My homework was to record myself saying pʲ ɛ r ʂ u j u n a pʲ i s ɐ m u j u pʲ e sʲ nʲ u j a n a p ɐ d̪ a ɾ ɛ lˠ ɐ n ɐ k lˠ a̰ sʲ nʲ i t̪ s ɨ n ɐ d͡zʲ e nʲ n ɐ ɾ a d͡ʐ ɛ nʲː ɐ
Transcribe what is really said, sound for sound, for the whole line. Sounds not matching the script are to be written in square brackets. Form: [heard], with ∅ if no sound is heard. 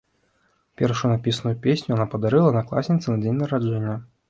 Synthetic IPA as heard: pʲ ɛ r ʂ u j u n a pʲ i s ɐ [n] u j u pʲ e sʲ nʲ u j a n a p ɐ d̪ a ɾ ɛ lˠ ɐ n ɐ k lˠ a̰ sʲ nʲ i t̪ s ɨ n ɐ d͡zʲ e nʲ n ɐ ɾ a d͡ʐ ɛ nʲː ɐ